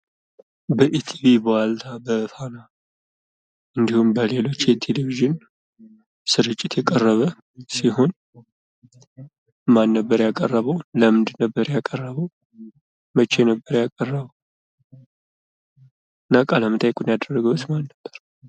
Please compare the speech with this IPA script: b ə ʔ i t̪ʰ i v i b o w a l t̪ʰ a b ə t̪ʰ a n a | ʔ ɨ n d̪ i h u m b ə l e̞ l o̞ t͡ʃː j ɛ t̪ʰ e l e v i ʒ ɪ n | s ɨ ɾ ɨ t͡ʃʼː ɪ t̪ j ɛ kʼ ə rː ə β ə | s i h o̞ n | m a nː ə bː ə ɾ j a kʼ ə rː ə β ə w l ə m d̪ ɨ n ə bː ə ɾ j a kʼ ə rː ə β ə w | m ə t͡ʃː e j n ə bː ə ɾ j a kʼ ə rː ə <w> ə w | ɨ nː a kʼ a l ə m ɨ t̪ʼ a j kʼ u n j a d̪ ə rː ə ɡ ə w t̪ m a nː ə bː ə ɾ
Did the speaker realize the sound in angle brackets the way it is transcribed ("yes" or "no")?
no